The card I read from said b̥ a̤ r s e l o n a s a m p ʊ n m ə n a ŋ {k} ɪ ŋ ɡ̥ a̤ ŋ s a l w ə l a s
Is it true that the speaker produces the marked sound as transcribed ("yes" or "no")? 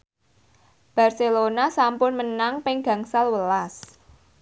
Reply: no